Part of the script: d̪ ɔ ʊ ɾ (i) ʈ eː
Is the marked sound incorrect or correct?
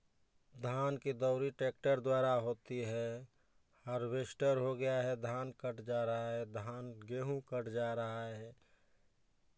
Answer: correct